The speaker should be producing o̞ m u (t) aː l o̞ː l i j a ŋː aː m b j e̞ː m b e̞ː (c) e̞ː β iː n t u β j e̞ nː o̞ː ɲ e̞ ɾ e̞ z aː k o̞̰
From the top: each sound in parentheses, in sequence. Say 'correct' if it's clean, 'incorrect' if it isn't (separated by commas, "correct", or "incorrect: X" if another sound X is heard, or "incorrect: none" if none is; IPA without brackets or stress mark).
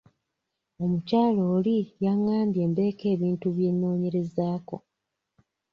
incorrect: c, incorrect: k